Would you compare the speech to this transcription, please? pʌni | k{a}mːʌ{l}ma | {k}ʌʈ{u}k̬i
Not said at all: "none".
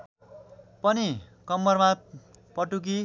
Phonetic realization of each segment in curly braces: ʌ, r, p, u

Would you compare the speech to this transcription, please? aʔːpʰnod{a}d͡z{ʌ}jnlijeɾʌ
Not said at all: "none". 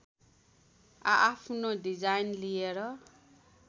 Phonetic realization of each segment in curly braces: i, a

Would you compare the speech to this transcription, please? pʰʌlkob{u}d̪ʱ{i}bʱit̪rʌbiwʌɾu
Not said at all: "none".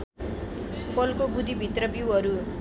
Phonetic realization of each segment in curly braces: u, i

